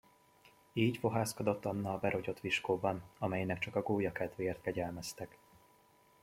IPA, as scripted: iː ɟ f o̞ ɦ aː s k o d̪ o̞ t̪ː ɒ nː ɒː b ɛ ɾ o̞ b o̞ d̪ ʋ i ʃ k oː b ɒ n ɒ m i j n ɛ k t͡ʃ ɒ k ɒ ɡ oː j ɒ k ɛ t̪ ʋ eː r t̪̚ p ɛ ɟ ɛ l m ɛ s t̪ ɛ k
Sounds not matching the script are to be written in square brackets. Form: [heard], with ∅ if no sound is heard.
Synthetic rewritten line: iː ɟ f o̞ ɦ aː s k o d̪ o̞ t̪ː ɒ nː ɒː b ɛ ɾ o̞ [ɟ] o̞ [t̪] ʋ i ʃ k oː b ɒ n ɒ m [ɛ] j n ɛ k t͡ʃ ɒ k ɒ ɡ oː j ɒ k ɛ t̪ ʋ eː r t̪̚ [k] ɛ ɟ ɛ l m ɛ s t̪ ɛ k